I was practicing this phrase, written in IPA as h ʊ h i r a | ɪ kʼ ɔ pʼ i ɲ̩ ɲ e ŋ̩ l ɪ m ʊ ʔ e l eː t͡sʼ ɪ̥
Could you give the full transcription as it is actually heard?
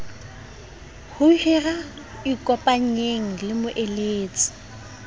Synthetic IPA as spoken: h ʊ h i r a | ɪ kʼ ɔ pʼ a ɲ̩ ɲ e ŋ̩ l ɪ m ʊ ʔ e l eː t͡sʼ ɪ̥